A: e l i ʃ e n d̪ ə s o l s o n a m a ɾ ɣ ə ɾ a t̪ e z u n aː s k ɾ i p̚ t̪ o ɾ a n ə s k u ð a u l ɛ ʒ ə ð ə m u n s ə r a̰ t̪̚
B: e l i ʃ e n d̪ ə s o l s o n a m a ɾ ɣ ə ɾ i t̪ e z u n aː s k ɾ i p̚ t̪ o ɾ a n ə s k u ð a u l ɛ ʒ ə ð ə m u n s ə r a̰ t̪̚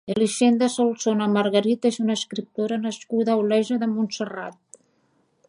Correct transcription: B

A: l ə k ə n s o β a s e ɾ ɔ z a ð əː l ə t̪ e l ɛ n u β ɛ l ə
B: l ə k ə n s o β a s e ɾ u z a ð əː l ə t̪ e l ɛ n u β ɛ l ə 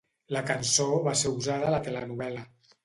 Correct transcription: B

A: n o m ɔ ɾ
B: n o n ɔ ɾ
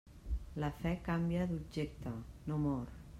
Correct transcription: A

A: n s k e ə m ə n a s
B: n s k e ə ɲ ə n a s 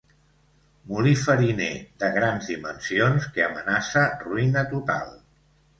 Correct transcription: A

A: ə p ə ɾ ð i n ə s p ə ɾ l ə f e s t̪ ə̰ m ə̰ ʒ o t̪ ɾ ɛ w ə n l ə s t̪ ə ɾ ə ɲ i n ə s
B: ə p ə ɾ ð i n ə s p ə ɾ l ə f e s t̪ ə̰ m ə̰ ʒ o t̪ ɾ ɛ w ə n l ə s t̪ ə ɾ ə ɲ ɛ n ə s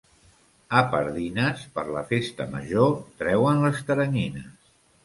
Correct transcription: A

